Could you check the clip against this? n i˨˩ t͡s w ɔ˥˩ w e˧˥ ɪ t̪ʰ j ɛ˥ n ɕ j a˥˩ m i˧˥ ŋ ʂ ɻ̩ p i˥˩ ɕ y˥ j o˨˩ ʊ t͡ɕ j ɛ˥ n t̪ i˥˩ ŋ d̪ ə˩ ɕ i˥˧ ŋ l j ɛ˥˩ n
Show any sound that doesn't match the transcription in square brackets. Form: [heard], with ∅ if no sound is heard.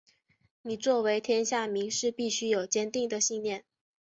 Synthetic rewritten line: n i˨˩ t͡s w ɔ˥˩ w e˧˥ ɪ t̪ʰ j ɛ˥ n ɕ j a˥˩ m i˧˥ ŋ ʂ ɻ̩ p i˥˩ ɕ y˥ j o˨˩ ʊ t͡ɕ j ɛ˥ n t̪ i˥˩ ŋ d̪ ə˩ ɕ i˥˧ ŋ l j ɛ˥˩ n